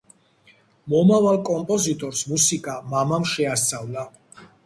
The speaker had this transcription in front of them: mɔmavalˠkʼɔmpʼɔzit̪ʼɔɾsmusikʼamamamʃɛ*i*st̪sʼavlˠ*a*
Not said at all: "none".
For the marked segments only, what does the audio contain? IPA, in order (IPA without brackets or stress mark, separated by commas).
a, a